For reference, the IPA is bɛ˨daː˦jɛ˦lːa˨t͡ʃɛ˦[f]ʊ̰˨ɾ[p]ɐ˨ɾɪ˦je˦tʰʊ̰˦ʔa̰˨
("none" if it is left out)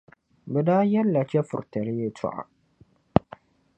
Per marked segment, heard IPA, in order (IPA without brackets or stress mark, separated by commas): f, t